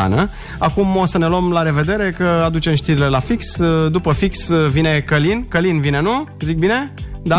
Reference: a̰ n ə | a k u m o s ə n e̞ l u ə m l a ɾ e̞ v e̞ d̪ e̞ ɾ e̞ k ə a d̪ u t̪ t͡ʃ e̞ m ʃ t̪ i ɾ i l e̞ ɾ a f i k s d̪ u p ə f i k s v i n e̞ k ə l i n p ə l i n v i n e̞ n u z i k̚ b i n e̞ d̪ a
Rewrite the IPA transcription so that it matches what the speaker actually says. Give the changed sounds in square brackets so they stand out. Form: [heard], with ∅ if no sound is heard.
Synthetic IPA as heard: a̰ n ə | a k u m o s ə n e̞ l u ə m l a ɾ e̞ v e̞ d̪ e̞ ɾ e̞ k ə a d̪ u [∅] t͡ʃ e̞ m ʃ t̪ i ɾ i l e̞ [l] a f i k s d̪ u p ə f i k s v i n e̞ k ə l i n [k] ə l i n v i n e̞ n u z i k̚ b i n e̞ d̪ a